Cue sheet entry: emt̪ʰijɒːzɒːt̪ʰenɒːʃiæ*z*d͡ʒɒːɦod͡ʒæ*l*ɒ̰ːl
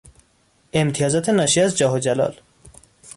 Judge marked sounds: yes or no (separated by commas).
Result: yes, yes